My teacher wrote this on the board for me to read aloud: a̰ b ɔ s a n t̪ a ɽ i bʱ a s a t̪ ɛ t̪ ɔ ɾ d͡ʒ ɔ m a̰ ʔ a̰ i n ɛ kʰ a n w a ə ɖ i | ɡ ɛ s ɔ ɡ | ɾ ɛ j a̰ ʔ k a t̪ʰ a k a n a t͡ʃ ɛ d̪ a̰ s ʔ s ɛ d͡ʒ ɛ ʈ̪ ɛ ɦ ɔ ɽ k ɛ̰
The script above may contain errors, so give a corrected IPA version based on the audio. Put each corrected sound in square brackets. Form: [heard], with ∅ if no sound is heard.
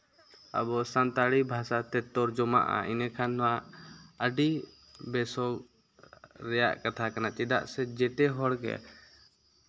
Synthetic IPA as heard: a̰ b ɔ s a n t̪ a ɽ i bʱ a s a t̪ ɛ t̪ ɔ ɾ d͡ʒ ɔ m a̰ ʔ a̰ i n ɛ kʰ a n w a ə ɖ i | [b] ɛ s ɔ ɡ | ɾ ɛ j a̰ ʔ k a t̪ʰ a k a n a t͡ʃ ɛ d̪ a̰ [∅] ʔ s ɛ d͡ʒ ɛ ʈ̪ ɛ ɦ ɔ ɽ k ɛ̰

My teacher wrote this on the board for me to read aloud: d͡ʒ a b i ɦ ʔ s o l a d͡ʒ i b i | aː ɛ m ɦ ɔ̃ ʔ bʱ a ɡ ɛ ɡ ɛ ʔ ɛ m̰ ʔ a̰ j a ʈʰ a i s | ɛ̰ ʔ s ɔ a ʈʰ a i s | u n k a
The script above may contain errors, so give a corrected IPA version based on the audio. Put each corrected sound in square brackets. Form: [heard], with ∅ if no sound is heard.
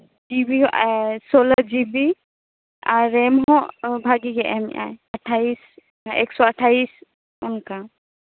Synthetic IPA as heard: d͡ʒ [i] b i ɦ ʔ s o l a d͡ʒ i b i | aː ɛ m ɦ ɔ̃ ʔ bʱ a ɡ [i] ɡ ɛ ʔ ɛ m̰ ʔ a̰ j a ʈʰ a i s | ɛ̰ [k] s ɔ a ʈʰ a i s | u n k a

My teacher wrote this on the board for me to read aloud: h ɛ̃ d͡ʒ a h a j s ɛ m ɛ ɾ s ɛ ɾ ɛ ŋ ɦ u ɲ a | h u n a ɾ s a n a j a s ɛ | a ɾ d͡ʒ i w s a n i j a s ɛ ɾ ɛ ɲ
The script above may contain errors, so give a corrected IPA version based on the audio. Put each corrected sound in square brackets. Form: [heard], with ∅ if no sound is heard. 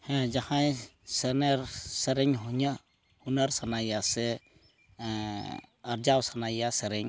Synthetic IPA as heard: h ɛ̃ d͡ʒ a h a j s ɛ [n] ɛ ɾ s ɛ ɾ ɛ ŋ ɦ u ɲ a | h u n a ɾ s a n a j a s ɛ | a ɾ d͡ʒ [a] w s a n [a] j a s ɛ ɾ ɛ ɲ

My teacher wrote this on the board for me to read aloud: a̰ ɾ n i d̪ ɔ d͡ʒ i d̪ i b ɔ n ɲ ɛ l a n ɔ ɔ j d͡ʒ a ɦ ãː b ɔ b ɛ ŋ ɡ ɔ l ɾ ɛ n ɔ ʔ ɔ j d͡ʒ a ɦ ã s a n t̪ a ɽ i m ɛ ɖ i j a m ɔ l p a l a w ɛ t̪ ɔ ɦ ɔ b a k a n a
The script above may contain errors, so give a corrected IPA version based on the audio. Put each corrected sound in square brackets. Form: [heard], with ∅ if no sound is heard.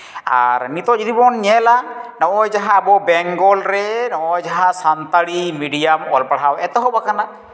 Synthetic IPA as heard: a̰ ɾ n i [t̪] ɔ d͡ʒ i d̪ i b ɔ n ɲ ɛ l a n ɔ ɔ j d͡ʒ a ɦ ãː b ɔ b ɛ ŋ ɡ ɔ l ɾ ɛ n ɔ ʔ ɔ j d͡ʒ a ɦ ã s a n t̪ a ɽ i m [i] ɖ i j a m ɔ l p a [ɽ] a w ɛ t̪ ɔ ɦ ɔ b a k a n a

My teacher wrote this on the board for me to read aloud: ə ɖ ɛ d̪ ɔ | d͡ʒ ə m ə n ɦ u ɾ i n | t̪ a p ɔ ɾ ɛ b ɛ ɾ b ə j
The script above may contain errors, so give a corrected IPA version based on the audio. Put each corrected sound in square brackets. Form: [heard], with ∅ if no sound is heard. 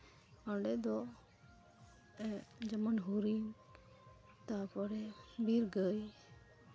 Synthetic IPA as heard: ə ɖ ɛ d̪ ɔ | d͡ʒ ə m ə n ɦ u ɾ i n | t̪ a p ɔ ɾ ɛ b [i] ɾ [ɡ] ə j

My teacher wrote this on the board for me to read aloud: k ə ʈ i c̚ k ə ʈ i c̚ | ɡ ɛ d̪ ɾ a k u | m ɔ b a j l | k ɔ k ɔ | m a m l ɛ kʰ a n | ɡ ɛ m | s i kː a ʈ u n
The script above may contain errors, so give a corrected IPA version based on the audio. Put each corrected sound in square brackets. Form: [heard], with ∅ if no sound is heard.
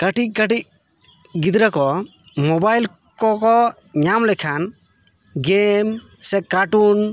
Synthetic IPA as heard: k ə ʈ i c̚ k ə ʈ i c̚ | ɡ [i] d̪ ɾ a k [ɔ] | m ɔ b a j l | k ɔ k ɔ | [ɲ] a m l ɛ kʰ a n | ɡ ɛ m | s [ɛ] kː a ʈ u n

